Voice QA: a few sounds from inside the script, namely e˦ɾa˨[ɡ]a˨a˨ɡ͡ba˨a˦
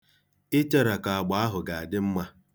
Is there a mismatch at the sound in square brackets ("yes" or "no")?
yes